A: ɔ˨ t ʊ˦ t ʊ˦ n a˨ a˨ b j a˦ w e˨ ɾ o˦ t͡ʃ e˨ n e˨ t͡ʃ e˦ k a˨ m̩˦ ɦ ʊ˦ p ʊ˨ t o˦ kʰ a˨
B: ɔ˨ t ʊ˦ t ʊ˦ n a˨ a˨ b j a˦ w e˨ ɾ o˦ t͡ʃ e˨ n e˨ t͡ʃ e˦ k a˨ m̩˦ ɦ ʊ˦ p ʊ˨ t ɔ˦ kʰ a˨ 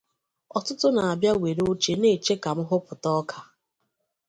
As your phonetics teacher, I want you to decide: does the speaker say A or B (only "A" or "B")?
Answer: B